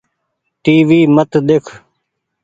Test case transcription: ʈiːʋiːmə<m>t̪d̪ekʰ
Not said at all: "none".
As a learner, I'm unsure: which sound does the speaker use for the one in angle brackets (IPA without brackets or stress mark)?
none